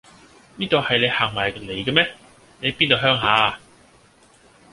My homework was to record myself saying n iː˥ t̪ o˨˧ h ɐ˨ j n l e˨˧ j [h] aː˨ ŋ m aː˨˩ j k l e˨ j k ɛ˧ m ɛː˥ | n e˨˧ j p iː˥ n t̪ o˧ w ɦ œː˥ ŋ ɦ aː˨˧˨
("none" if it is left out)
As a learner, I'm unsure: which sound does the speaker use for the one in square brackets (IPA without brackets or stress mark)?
h